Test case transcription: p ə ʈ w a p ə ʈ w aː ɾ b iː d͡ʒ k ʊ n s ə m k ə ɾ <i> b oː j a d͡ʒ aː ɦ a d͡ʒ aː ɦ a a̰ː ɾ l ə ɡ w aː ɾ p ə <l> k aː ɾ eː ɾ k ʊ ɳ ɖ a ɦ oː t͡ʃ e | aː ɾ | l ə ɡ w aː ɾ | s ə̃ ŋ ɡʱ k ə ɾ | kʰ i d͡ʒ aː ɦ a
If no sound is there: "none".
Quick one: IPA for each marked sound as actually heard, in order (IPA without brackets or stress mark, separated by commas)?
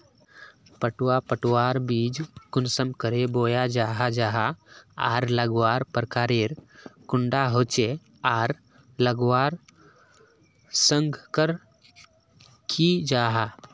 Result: e, ɾ